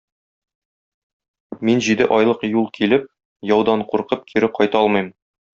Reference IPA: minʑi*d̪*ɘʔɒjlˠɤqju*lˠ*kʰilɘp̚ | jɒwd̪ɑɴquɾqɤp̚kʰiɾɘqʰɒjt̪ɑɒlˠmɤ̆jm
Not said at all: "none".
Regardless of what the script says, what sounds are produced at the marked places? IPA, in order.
d̪, lˠ

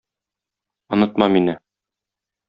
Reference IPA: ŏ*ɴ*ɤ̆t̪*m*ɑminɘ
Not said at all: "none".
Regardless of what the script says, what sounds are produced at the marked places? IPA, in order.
n, m

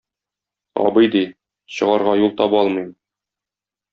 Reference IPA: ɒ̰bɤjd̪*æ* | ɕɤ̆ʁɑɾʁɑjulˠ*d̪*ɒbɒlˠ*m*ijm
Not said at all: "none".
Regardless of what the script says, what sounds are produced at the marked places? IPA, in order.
i, t̪, m

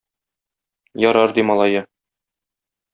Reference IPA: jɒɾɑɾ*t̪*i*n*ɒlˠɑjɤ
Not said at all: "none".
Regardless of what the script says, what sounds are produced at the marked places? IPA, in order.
d̪, m

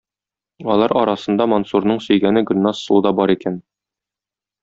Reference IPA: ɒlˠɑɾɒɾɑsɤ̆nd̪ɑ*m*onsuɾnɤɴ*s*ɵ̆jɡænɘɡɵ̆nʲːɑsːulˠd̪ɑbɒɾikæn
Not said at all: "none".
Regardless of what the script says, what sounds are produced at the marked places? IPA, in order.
m, s

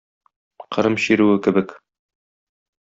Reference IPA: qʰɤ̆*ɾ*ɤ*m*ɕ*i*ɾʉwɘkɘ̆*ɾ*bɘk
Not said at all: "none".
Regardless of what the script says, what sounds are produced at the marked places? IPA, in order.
ɾ, m, i, none

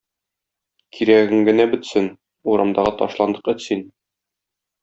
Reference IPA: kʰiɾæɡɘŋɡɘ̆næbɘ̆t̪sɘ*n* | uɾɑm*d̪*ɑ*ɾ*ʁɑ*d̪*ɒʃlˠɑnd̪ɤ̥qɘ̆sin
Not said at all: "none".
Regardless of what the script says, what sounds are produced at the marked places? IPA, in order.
n, d̪, none, t̪

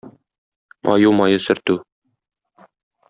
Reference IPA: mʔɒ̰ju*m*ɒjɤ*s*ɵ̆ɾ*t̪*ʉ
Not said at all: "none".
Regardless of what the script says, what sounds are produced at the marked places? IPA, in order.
m, s, t̪

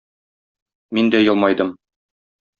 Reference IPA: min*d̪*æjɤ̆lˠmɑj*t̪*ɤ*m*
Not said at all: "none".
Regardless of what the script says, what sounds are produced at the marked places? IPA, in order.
d̪, d̪, m

